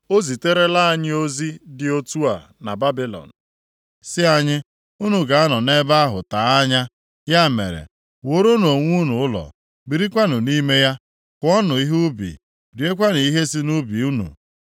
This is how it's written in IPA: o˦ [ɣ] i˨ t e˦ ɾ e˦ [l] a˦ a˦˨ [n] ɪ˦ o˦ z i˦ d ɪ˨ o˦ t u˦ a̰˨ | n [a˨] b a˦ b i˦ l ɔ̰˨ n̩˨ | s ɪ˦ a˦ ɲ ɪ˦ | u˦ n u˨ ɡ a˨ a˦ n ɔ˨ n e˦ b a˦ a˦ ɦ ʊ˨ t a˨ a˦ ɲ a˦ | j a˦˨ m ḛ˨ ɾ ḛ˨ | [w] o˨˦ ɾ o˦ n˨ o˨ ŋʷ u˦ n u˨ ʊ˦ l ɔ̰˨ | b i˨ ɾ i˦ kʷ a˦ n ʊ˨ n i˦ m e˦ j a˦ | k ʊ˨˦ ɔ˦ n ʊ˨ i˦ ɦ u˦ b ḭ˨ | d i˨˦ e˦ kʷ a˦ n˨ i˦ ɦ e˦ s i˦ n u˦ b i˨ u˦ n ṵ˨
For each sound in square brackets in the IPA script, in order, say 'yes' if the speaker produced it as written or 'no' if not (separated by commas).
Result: no, yes, no, yes, yes